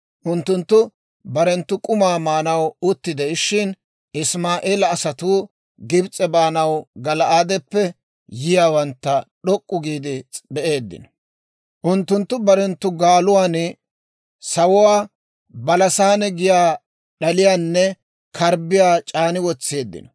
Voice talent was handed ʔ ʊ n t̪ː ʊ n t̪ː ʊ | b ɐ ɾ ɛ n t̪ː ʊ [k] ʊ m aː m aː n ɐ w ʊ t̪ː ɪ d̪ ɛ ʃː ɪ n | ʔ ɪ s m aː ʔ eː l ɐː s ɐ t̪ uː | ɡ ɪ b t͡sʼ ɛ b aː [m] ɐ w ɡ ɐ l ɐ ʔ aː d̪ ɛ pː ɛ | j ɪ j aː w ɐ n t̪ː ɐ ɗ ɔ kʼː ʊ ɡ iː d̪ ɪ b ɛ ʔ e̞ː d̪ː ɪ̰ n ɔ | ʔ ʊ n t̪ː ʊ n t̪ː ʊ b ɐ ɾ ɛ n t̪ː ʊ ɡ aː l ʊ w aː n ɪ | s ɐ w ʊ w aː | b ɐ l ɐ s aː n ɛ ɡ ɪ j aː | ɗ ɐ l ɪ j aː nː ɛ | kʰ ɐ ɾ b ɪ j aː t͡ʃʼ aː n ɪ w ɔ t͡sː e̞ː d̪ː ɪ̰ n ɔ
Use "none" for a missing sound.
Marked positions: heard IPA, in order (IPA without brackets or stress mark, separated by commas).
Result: kʼ, n